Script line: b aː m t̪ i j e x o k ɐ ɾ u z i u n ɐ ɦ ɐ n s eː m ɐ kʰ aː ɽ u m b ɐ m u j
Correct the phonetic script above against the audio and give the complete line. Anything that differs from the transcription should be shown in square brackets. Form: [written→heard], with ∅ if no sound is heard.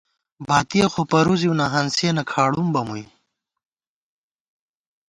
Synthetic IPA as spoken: b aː [m→∅] t̪ i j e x o [k→p] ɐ ɾ u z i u n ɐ ɦ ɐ n s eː [m→n] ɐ kʰ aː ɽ u m b ɐ m u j

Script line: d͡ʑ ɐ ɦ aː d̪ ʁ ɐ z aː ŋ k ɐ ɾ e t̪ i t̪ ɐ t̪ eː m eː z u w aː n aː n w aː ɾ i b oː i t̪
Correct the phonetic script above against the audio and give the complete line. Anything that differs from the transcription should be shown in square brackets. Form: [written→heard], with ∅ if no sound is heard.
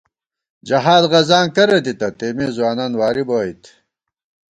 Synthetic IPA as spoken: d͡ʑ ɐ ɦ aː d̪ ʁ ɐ z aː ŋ k ɐ ɾ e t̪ i t̪ ɐ t̪ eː m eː z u w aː n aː n w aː ɾ i b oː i t̪

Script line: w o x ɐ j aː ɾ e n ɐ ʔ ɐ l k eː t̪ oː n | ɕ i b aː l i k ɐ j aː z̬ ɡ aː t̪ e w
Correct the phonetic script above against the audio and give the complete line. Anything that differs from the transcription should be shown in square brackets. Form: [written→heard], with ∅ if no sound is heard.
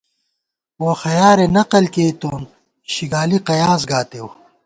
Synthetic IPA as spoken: w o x ɐ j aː ɾ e n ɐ [ʔ→q] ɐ l k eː t̪ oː n | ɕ i [b→ɡ] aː l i [k→q] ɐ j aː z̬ ɡ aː t̪ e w

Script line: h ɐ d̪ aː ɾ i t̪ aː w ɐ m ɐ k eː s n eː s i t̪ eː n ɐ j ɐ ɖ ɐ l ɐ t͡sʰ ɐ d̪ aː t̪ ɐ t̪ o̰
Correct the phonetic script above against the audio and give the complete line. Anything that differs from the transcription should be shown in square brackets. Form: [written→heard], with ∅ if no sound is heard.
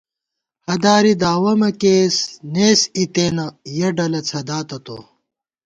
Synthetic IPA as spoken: h ɐ d̪ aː ɾ i [t̪→d̪] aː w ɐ m ɐ k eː s n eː s i t̪ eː n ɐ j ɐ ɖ ɐ l ɐ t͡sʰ ɐ d̪ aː t̪ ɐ t̪ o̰

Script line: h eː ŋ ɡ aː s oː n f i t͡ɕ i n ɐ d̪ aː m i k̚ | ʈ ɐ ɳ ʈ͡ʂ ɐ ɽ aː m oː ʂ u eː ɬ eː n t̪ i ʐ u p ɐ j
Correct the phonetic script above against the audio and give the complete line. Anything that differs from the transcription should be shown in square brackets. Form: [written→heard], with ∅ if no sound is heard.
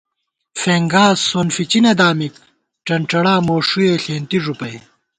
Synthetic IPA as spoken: [h→f] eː ŋ ɡ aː s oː n f i t͡ɕ i n ɐ d̪ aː m i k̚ | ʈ ɐ ɳ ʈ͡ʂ ɐ ɽ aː m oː ʂ u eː ɬ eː n t̪ i ʐ u p ɐ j

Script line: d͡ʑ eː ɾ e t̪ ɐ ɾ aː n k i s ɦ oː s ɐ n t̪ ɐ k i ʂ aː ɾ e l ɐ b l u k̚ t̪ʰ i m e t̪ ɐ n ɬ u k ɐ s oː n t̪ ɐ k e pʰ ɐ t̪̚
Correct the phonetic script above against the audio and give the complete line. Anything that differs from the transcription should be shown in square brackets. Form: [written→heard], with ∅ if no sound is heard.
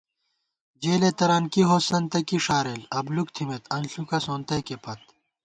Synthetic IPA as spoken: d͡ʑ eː [ɾ→l] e t̪ ɐ ɾ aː n k i [s→∅] ɦ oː s ɐ n t̪ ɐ k i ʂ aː ɾ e l ɐ b l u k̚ t̪ʰ i m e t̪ ɐ n ɬ u k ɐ s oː n t̪ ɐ k e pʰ ɐ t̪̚

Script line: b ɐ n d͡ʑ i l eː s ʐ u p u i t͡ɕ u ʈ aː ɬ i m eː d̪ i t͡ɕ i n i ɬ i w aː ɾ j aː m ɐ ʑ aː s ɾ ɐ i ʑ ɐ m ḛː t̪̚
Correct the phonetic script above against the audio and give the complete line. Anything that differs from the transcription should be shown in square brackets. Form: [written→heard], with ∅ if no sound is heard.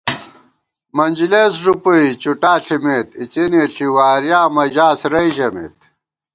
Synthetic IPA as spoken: [b→m] ɐ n d͡ʑ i l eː s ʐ u p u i t͡ɕ u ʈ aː ɬ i m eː [d̪→t̪] i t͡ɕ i n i ɬ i w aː ɾ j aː m ɐ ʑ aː s ɾ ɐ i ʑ ɐ m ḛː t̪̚

